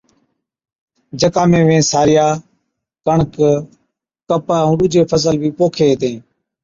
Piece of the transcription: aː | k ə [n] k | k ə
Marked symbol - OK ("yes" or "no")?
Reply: no